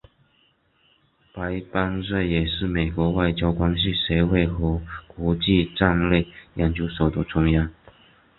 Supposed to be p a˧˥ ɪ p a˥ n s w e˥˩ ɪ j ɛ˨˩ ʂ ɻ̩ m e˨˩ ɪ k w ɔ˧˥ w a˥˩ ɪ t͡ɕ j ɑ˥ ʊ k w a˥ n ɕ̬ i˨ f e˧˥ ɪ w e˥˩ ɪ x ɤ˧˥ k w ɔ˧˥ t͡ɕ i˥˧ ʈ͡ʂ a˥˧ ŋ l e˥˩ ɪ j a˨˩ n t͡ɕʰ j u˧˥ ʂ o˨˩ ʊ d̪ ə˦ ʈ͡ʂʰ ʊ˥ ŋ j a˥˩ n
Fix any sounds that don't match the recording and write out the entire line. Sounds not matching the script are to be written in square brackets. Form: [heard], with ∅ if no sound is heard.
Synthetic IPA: p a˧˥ ɪ p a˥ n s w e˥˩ ɪ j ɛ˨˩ ʂ ɻ̩ m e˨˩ ɪ k w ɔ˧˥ w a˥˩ ɪ t͡ɕ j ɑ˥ ʊ k w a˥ n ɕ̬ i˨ [ʂ] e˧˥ ɪ w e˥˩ ɪ x ɤ˧˥ k w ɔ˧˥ t͡ɕ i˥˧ ʈ͡ʂ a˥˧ ŋ l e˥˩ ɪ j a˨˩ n [t͡ɕ] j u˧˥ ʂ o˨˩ ʊ d̪ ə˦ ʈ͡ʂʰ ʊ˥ ŋ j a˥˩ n